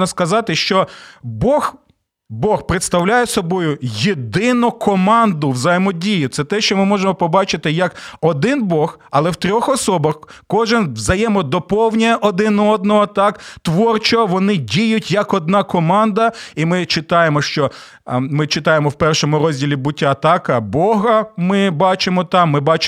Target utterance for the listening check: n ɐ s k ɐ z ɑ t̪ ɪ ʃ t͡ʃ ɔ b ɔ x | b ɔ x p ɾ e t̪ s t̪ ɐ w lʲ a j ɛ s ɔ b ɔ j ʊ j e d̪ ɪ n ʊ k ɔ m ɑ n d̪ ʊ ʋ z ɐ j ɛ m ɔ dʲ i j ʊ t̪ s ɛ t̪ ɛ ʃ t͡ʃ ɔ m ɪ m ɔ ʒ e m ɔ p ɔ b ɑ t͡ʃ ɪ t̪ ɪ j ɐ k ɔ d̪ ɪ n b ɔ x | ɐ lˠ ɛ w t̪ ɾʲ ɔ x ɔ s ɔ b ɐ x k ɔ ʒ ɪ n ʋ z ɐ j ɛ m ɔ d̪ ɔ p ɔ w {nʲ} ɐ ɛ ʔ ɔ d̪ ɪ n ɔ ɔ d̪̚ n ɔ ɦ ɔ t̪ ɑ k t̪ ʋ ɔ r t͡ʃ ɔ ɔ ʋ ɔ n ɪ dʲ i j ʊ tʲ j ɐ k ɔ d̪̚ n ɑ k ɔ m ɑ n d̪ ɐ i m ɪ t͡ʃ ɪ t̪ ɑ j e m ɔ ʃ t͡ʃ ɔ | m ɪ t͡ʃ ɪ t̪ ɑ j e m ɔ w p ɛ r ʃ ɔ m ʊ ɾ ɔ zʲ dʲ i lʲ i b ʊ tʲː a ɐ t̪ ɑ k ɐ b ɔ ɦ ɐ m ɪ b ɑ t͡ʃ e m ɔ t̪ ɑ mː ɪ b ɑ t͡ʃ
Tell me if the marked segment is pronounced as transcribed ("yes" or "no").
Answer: yes